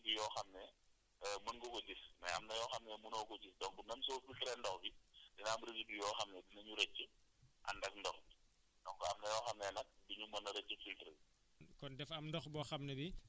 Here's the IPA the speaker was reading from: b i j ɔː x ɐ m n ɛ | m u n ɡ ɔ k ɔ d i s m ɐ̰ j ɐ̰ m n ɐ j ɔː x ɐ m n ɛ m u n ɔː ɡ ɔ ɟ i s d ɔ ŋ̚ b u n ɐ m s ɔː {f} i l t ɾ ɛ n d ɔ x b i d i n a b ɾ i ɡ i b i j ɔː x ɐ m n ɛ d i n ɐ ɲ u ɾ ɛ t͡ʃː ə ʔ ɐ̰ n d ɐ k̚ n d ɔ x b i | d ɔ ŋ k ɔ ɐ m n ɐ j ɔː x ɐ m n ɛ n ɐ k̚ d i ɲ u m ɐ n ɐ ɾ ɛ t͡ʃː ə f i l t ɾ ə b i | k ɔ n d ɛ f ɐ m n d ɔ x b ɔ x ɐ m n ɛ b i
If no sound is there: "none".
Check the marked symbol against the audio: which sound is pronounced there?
f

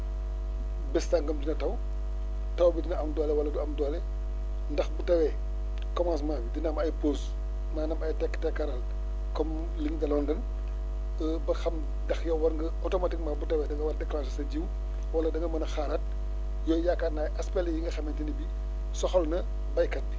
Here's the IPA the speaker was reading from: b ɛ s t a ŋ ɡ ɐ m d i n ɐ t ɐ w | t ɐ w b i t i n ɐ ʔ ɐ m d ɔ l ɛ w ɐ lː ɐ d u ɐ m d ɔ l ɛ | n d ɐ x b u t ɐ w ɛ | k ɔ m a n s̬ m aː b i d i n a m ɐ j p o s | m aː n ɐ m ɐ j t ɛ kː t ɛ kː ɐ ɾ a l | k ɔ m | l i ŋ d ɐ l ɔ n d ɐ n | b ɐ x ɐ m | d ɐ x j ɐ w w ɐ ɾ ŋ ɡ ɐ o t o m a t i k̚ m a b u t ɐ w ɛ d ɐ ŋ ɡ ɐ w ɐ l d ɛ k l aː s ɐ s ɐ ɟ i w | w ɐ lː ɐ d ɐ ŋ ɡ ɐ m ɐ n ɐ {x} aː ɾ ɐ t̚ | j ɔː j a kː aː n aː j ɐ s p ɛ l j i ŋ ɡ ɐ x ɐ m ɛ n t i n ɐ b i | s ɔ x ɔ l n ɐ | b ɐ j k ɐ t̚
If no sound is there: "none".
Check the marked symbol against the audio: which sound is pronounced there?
x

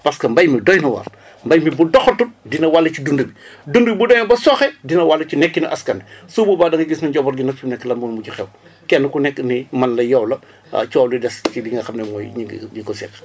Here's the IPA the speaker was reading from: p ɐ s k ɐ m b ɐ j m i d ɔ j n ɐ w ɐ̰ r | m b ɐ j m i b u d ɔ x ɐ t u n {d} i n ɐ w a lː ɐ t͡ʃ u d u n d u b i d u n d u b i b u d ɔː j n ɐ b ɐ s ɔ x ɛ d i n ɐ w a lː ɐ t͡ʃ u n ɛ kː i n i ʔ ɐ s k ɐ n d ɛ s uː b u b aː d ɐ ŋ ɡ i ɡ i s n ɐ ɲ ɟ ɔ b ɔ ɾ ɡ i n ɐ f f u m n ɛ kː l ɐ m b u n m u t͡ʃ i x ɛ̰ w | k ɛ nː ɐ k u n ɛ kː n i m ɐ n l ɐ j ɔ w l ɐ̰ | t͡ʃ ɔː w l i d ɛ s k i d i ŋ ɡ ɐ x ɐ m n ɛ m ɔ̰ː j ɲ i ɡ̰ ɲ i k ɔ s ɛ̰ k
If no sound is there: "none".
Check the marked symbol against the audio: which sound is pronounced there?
d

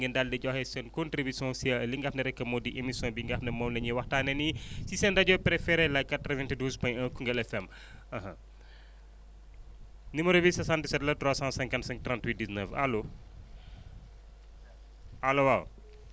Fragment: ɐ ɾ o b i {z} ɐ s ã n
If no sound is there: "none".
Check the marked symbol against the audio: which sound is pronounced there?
s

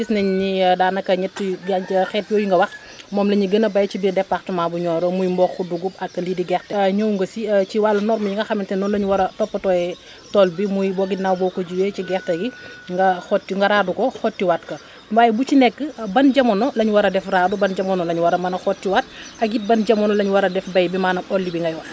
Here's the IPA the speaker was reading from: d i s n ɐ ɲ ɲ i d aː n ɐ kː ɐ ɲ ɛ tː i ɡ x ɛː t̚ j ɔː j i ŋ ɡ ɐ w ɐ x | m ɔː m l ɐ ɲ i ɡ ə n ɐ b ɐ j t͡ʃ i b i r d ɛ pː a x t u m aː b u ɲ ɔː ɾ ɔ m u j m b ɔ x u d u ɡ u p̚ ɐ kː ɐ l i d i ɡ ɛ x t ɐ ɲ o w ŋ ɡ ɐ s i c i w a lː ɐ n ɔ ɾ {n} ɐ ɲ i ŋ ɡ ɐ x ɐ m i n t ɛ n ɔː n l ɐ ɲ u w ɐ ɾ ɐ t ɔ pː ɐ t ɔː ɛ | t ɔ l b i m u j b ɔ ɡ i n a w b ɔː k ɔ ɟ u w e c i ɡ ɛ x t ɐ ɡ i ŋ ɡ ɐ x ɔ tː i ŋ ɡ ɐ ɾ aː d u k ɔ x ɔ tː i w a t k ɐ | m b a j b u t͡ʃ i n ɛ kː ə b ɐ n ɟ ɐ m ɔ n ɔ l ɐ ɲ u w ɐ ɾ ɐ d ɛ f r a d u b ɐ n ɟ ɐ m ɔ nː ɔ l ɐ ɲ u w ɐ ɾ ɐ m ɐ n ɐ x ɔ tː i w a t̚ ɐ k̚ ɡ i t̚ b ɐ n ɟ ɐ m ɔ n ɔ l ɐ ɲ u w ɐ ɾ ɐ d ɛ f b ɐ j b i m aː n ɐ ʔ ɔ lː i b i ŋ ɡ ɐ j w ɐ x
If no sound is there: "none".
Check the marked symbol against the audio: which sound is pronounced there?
m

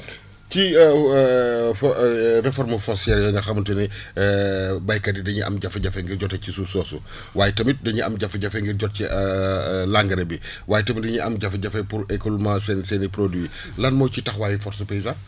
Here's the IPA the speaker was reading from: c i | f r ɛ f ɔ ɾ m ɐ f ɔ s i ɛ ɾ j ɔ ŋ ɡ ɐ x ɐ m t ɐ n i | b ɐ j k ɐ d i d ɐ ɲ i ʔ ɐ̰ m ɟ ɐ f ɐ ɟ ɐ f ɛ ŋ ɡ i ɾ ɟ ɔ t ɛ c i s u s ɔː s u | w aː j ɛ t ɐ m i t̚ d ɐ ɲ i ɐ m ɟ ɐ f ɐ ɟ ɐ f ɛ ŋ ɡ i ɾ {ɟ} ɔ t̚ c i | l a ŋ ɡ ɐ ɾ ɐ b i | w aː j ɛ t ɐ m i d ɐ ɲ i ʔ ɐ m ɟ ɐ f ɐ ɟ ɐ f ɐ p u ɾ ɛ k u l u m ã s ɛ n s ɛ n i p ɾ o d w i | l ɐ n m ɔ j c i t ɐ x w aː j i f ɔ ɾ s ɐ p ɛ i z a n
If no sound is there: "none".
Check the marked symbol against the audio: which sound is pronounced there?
ɟ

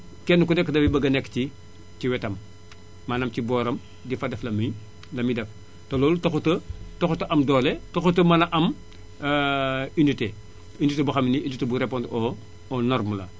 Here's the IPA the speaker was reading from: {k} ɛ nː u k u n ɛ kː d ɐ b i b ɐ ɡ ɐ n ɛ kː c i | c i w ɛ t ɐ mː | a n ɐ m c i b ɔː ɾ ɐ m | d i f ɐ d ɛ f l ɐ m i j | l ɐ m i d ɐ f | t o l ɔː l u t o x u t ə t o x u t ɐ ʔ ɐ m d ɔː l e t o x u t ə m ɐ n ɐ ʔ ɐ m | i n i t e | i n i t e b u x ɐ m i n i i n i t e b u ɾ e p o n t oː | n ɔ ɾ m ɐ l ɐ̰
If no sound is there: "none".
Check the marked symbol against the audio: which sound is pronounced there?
k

